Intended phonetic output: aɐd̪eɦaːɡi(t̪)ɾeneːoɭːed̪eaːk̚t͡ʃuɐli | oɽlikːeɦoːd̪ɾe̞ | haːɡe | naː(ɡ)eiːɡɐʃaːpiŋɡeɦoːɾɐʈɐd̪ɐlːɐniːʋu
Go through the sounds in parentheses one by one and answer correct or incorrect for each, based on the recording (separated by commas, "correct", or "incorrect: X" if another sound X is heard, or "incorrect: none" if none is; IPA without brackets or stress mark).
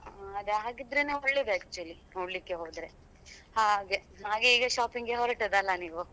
incorrect: d̪, correct